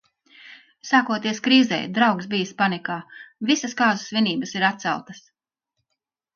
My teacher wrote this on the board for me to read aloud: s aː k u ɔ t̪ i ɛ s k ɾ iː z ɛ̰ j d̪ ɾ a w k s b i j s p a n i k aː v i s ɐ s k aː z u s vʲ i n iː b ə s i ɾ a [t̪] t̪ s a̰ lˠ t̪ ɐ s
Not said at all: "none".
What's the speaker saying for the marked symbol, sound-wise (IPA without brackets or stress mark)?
t̪